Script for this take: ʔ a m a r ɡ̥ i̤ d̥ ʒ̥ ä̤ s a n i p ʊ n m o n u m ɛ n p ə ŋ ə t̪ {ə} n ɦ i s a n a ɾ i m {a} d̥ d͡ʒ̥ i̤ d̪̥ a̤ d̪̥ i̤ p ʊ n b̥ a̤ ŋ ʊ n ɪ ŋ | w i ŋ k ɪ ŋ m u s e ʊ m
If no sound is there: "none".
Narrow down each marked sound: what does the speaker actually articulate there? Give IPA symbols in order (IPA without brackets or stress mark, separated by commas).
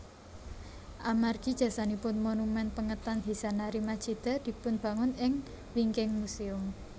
a, a